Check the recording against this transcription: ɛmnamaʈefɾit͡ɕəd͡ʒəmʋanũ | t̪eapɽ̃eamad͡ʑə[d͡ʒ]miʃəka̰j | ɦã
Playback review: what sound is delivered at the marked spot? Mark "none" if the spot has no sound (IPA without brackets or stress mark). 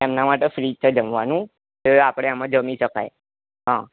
none